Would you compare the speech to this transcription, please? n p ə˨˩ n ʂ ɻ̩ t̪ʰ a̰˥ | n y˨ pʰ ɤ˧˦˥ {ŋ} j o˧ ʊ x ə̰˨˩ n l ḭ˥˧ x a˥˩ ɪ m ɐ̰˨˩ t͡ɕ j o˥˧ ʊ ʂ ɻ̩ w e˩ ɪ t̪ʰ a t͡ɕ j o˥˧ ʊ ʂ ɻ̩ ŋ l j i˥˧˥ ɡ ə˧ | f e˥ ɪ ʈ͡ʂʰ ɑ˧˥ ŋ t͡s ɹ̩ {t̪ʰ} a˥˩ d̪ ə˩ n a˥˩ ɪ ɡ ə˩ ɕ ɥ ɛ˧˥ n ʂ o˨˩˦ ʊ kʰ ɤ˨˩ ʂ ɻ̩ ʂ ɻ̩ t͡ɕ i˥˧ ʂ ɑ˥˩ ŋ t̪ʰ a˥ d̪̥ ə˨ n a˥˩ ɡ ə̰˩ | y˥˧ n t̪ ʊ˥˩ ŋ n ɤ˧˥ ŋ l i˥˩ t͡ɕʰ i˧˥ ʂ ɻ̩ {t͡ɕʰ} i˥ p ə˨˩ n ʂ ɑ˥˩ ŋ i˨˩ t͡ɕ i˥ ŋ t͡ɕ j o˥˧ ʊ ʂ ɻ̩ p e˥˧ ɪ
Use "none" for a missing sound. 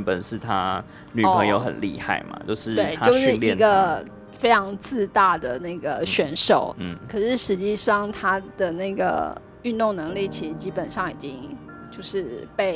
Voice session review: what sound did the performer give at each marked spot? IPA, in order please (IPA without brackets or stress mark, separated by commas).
ŋ, t̪, t͡ɕ